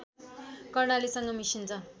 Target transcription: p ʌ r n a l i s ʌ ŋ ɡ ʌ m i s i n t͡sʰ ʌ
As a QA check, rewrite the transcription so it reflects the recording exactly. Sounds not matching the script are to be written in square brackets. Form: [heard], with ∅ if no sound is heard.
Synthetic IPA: [k] ʌ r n a l i s ʌ ŋ ɡ ʌ m i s i n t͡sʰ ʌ